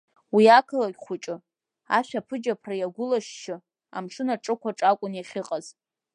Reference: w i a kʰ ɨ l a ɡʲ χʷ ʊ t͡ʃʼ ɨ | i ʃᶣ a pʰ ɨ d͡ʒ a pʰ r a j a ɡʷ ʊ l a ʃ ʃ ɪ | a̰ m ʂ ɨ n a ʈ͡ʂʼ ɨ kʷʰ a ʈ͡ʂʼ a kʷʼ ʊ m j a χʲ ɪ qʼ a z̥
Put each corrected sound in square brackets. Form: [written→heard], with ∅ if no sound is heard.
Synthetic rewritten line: w i a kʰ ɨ l a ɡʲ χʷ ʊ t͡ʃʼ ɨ | [i→a] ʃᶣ a pʰ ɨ d͡ʒ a pʰ r a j a ɡʷ ʊ l a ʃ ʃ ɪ | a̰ m ʂ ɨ n a ʈ͡ʂʼ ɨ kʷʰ a ʈ͡ʂʼ a kʷʼ ʊ [m→n] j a χʲ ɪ qʼ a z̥